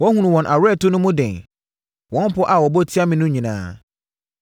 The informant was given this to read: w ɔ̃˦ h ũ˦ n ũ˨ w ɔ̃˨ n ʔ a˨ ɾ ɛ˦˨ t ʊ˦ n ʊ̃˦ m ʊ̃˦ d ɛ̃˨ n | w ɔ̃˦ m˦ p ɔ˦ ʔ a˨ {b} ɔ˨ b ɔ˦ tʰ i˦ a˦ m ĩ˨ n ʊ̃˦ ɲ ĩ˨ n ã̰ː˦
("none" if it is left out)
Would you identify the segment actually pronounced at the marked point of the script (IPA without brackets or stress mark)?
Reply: w